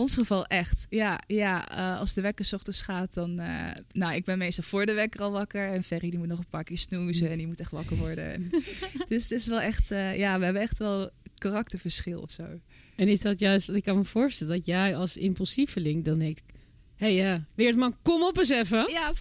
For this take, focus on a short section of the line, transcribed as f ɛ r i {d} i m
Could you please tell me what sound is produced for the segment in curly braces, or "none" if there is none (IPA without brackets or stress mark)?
d